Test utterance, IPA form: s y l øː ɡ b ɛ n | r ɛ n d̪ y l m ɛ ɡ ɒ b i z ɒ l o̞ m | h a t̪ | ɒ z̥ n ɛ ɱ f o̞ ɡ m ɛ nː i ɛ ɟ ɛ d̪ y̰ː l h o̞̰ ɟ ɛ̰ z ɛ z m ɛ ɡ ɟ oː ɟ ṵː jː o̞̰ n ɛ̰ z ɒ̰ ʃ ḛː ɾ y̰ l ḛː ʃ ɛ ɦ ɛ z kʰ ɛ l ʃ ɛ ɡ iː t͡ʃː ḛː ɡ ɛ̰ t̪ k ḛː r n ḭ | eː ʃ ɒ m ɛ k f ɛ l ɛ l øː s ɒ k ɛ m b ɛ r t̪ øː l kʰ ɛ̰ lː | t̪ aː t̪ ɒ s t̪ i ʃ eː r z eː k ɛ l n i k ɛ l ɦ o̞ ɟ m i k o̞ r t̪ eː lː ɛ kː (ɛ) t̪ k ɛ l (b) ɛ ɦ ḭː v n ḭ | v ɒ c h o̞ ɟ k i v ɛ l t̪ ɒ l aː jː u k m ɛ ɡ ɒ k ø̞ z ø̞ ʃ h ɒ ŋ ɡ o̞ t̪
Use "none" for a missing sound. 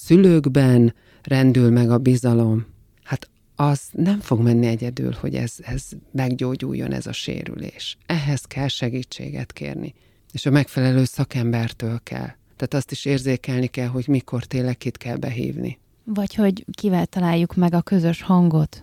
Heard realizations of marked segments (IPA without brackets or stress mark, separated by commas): i, b